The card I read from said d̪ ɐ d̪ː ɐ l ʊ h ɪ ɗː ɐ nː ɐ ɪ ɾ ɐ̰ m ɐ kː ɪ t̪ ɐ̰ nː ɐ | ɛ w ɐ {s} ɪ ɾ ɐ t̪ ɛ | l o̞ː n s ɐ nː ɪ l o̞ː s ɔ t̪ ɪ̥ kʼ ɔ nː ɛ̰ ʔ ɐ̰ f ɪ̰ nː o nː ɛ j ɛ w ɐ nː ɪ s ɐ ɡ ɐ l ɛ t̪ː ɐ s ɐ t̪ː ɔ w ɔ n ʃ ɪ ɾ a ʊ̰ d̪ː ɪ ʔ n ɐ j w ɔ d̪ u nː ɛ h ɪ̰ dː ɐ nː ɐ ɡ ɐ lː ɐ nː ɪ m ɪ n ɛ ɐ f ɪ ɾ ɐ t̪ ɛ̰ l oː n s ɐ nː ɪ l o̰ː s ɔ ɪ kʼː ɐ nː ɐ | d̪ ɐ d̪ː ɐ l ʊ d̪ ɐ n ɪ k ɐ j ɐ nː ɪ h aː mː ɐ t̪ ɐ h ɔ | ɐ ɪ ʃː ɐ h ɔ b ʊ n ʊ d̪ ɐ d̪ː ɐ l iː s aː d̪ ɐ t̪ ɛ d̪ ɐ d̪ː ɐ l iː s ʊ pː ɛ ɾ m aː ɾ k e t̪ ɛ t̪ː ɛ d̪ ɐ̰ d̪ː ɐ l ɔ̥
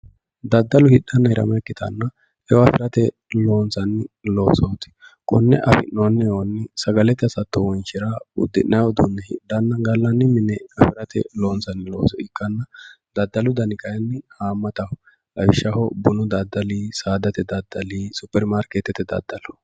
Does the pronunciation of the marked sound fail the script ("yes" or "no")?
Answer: yes